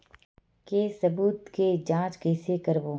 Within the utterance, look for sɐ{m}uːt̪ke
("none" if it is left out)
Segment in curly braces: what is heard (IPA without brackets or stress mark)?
b